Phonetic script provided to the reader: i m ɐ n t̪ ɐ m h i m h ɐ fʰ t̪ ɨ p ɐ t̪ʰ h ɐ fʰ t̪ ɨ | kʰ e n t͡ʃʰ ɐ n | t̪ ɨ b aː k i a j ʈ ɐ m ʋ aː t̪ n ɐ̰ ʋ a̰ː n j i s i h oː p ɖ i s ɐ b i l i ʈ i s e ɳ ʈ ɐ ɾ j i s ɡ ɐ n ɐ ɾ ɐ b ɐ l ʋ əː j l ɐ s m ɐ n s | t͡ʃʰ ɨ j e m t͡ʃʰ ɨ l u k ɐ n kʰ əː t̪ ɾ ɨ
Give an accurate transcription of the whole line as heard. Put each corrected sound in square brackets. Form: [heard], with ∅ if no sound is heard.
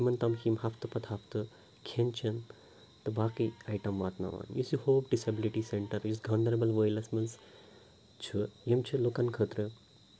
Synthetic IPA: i m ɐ n t̪ ɐ m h i m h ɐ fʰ t̪ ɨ p ɐ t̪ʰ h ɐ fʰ t̪ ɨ | kʰ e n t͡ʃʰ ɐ n | t̪ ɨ b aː k i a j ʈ ɐ m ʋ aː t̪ n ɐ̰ ʋ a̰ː n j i s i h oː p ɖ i s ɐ b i l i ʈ i s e ɳ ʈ ɐ ɾ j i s ɡ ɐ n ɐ ɾ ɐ b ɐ l ʋ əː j l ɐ s m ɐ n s | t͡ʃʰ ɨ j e m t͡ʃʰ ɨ l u k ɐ n kʰ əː t̪ ɾ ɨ